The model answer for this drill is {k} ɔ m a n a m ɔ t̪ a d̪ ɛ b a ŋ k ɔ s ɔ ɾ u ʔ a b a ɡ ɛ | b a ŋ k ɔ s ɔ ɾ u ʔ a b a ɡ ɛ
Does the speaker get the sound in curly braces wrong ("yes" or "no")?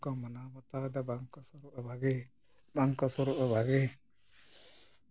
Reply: no